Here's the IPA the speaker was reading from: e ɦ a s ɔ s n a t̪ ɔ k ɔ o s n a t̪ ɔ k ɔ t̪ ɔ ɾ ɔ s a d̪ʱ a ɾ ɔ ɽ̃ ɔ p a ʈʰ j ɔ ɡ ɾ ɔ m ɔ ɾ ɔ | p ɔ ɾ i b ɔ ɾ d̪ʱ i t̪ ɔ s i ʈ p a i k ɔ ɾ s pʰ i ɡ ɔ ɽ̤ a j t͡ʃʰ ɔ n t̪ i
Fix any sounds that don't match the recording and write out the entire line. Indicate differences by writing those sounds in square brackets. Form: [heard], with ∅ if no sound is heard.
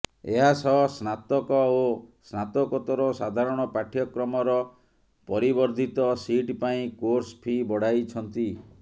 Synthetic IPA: e ɦ a s ɔ s n a t̪ ɔ k ɔ o s n a t̪ ɔ k ɔ t̪ ɔ ɾ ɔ s a d̪ʱ a ɾ ɔ ɽ̃ ɔ p a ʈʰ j ɔ [k] ɾ ɔ m ɔ ɾ ɔ | p ɔ ɾ i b ɔ ɾ d̪ʱ i t̪ ɔ s i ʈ p a [ĩ] k [o] ɾ s pʰ i [b] ɔ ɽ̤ a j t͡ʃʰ ɔ n t̪ i